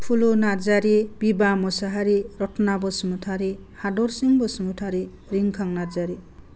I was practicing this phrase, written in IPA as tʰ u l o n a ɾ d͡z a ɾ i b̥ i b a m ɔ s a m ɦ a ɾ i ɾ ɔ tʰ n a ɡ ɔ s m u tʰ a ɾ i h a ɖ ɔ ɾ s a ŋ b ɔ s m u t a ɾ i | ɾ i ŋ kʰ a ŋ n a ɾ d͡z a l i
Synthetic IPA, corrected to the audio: pʰ u l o n a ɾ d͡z a ɾ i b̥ i b a m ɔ s a ɦ a ɾ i ɾ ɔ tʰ n a b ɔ s m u tʰ a ɾ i h a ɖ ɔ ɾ s i ŋ b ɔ s m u tʰ a ɾ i | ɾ i ŋ kʰ a ŋ n a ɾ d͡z a ɾ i